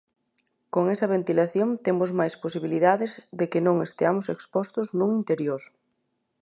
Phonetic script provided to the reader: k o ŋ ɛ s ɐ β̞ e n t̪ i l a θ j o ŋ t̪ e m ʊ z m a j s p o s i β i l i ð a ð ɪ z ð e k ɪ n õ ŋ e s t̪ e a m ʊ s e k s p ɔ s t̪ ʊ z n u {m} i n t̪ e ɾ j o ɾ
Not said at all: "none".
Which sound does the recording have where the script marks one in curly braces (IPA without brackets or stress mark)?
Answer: ŋ